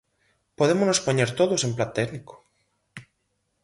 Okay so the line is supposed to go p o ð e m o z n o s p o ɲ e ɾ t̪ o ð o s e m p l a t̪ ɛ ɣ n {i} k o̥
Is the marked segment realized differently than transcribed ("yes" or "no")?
no